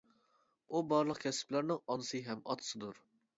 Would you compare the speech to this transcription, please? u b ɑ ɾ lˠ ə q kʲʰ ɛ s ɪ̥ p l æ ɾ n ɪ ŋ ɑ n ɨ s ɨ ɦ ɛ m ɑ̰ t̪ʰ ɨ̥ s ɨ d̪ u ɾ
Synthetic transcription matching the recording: u b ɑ ɾ lˠ ə q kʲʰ ɛ s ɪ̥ p l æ ɾ n ɪ ŋ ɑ n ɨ s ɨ ɦ ɛ m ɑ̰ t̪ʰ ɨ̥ s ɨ d̪ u ɾ